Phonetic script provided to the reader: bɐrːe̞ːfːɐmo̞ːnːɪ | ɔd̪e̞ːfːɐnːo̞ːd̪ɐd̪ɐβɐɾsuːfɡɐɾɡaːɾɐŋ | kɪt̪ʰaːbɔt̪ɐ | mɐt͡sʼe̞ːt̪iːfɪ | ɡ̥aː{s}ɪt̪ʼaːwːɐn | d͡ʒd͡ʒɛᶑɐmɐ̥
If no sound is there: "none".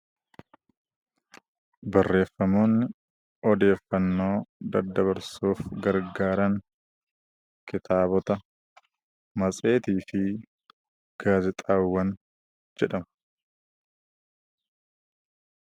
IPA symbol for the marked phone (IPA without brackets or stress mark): z